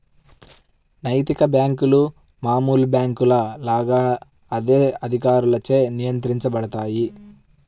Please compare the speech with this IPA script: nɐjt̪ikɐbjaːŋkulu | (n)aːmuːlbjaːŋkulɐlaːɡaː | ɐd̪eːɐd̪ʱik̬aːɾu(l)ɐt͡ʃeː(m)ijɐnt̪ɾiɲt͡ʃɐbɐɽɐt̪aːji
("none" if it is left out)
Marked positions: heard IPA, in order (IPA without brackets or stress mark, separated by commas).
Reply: m, l, n